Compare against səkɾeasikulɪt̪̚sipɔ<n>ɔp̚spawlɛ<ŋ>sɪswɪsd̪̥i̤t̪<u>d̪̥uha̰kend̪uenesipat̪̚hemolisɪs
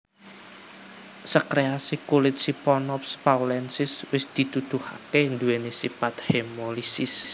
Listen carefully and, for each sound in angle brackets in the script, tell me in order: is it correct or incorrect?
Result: correct, incorrect: n, correct

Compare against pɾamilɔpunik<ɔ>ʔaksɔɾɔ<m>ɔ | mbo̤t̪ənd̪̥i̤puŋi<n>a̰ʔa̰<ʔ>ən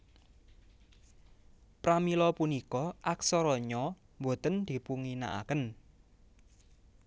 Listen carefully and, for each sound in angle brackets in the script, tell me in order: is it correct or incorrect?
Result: correct, incorrect: ɲ, correct, incorrect: k

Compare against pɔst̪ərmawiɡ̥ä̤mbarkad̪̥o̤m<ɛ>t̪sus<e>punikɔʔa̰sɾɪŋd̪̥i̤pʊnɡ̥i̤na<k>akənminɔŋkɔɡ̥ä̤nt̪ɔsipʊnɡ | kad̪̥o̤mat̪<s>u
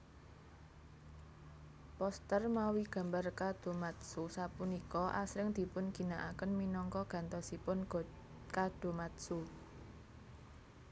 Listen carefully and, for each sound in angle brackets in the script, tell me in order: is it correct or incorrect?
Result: incorrect: a, incorrect: a, incorrect: ʔ, correct

